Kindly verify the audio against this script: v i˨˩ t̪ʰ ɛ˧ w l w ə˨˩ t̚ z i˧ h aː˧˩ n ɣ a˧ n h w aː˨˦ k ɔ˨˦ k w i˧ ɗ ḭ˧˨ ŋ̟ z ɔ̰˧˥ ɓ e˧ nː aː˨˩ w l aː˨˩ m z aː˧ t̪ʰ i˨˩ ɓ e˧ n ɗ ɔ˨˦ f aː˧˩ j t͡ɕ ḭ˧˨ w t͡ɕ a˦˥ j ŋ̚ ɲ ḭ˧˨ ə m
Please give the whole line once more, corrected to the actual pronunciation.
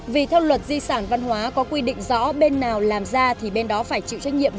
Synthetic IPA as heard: v i˨˩ t̪ʰ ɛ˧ w l w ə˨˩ t̚ z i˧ s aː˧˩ n v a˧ n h w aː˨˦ k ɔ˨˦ k w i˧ ɗ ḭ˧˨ ŋ̟ z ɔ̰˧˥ ɓ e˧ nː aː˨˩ w l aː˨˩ m z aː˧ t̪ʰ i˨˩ ɓ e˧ n ɗ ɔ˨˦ f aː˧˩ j t͡ɕ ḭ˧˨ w t͡ɕ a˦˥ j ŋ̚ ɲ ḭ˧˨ ə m